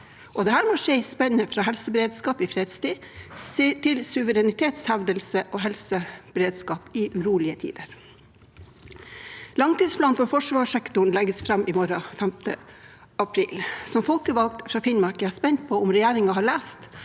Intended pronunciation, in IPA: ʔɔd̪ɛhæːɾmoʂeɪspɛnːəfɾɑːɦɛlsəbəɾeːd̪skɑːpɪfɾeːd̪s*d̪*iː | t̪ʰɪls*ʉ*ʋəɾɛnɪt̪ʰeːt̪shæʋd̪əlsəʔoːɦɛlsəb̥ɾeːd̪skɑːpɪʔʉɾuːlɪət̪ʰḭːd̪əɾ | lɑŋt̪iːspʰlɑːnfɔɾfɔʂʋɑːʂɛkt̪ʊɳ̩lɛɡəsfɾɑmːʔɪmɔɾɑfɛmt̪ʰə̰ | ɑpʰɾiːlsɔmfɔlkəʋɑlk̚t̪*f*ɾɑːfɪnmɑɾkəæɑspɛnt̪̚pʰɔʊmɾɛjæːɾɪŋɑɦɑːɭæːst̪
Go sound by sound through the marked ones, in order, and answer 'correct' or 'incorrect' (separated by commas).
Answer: incorrect, correct, correct